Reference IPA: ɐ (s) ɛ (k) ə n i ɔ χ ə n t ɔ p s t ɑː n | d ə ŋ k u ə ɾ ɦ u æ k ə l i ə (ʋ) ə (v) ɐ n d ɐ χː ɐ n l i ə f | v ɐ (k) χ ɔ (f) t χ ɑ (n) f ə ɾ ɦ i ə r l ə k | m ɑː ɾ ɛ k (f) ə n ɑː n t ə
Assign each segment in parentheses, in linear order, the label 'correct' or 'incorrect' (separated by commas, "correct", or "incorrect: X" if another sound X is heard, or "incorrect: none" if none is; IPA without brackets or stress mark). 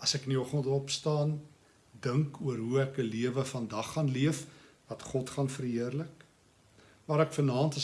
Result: correct, correct, incorrect: v, incorrect: f, incorrect: t, incorrect: none, correct, correct